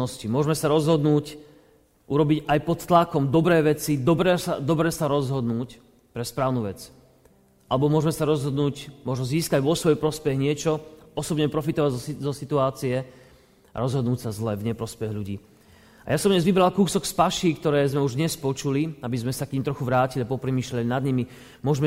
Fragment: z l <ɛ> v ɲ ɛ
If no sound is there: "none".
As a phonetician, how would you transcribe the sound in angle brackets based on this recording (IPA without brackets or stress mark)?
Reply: ɛ